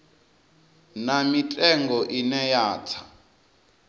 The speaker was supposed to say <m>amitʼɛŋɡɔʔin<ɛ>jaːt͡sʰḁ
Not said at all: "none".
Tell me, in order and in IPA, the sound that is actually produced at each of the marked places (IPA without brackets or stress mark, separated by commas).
n, ɛ